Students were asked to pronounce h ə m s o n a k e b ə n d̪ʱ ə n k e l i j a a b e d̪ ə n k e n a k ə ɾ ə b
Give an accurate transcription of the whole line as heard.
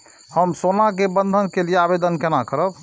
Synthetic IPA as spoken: h ə m s o n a k e b ə n d̪ʱ ə n k e l i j e a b e d̪ ə n k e n a k ə ɾ ə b